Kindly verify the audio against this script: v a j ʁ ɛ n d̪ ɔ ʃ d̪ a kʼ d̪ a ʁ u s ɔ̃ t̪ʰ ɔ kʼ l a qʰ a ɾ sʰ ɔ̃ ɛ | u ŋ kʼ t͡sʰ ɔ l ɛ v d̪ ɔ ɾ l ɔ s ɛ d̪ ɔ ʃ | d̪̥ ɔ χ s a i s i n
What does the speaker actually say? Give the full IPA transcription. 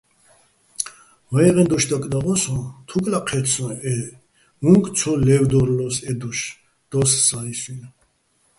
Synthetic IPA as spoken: v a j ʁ ɛ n d̪ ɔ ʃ d̪ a kʼ d̪ a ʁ ɔ s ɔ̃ t̪ʰ u kʼ l a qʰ ɛ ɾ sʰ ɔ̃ ɛ | u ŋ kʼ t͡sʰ ɔ l ɛ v d̪ ɔ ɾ l ɔ s ɛ d̪ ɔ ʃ | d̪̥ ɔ s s a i s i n